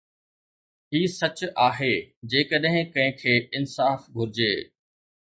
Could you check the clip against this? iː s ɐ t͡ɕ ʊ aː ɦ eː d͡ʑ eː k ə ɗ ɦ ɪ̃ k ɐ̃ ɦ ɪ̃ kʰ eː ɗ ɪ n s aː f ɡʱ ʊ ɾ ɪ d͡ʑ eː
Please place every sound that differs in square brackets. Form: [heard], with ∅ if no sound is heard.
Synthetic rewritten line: iː s ɐ t͡ɕ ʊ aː ɦ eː d͡ʑ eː k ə ɗ ɦ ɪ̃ k ɐ̃ ɦ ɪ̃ kʰ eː [∅] ɪ n s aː f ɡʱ ʊ ɾ ɪ d͡ʑ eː